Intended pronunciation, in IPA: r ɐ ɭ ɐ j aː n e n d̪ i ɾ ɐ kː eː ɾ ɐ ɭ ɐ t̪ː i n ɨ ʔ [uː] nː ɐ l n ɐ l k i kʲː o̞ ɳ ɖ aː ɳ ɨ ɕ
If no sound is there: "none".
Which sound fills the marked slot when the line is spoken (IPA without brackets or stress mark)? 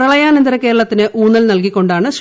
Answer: uː